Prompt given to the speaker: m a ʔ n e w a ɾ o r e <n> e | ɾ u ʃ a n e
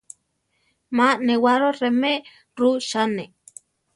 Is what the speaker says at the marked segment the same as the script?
no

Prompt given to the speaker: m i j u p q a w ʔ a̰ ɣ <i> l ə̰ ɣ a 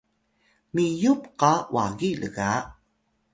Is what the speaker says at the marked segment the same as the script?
yes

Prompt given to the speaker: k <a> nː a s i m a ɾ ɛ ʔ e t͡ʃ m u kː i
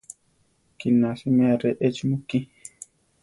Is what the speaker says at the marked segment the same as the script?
no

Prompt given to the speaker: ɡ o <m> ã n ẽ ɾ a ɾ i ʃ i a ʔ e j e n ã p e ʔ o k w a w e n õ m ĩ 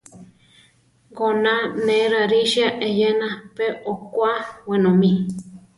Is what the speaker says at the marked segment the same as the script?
no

